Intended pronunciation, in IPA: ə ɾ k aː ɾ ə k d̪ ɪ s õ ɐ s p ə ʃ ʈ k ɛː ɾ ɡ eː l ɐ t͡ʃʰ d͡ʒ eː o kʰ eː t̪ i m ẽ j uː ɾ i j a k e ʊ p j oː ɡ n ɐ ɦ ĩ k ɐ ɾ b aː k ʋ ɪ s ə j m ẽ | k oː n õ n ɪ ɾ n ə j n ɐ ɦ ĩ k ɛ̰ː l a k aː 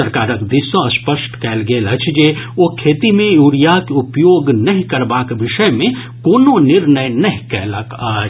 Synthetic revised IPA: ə ɾ k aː ɾ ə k d̪ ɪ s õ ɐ s p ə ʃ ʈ k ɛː l ɡ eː l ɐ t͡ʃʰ d͡ʒ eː o kʰ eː t̪ i m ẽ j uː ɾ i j a k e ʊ p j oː ɡ n ɐ ɦ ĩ k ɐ ɾ b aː k ʋ ɪ ʃ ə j m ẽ | k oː n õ n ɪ ɾ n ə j n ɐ ɦ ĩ k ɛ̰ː l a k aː